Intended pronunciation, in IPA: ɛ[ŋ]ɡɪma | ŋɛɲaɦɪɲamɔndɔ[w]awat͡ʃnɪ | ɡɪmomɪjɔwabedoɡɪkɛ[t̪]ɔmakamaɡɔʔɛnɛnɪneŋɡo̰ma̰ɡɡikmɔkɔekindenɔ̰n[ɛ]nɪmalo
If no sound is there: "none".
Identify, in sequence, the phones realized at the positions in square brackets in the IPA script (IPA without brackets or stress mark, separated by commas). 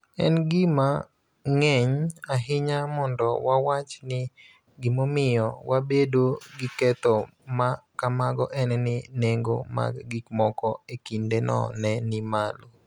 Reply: n, w, t̪, ɛ